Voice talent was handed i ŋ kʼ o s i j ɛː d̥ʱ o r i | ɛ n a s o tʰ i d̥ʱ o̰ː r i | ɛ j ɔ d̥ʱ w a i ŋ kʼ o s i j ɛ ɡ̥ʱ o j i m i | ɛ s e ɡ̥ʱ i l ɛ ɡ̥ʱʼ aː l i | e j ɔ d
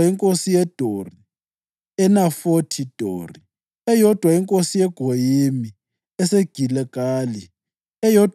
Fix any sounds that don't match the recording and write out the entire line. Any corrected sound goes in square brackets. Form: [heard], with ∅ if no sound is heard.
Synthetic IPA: i ŋ kʼ o s i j [ɛ] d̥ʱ o r i | ɛ n a [f] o tʰ i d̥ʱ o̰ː r i | ɛ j ɔ d̥ʱ w a i ŋ kʼ o s i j ɛ ɡ̥ʱ o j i m i | ɛ s e ɡ̥ʱ i l ɛ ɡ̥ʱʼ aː l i | [ɛ] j ɔ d